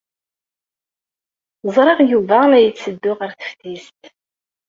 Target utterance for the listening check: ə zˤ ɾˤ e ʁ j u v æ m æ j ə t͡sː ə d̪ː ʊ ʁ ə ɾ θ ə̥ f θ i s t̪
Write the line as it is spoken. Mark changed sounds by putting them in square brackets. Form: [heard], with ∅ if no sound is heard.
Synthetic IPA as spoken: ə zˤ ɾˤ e ʁ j u v æ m æ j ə t͡sː ə d̪ː ʊ ʁ ə ɾ θ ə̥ f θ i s t̪